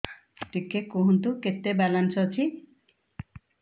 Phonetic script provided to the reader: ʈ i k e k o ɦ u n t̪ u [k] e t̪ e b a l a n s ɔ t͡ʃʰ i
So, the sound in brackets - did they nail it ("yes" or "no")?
yes